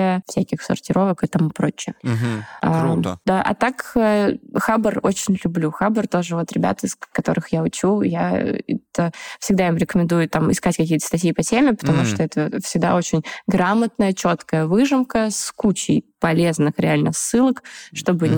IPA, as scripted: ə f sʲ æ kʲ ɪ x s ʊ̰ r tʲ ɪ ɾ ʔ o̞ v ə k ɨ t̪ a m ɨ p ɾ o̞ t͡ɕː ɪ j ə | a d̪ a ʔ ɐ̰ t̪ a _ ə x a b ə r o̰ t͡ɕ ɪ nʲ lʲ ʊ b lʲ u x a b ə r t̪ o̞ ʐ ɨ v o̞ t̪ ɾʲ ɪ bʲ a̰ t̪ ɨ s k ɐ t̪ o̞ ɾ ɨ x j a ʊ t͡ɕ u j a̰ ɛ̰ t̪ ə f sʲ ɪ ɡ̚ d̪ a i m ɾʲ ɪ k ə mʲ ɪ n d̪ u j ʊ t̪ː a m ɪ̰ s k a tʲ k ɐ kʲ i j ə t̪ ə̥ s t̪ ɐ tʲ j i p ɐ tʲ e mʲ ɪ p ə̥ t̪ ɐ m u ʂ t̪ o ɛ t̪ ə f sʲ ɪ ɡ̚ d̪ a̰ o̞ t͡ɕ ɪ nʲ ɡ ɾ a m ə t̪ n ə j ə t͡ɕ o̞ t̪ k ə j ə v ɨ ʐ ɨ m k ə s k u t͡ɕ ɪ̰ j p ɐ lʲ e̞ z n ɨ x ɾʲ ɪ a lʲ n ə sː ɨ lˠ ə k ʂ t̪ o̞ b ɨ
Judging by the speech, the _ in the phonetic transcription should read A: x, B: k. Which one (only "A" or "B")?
B